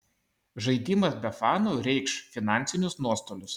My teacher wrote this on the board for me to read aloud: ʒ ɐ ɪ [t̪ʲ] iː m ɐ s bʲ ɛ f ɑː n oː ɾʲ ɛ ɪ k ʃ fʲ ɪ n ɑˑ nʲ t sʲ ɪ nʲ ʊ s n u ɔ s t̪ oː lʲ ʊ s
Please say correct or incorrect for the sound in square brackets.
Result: incorrect